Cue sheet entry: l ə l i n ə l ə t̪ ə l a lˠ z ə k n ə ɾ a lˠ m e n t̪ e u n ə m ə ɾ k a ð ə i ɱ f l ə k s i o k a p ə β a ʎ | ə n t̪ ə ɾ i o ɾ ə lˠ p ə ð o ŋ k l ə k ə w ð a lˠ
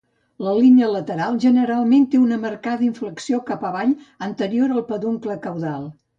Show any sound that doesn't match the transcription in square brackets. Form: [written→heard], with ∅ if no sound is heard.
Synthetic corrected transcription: l ə l i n ə l ə t̪ ə [l→ɾ] a lˠ [z→ʒ] ə [k→∅] n ə ɾ a lˠ m e n t̪ e u n ə m ə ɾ k a ð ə i ɱ f l ə k s i o k a p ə β a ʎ | ə n t̪ ə ɾ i o ɾ ə lˠ p ə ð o ŋ k l ə k ə w ð a lˠ